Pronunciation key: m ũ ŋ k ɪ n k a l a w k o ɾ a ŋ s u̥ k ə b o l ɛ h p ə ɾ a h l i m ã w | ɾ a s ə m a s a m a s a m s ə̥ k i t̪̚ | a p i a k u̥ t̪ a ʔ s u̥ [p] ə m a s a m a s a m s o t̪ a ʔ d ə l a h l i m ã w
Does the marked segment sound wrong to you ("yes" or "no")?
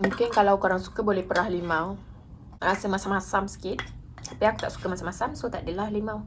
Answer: yes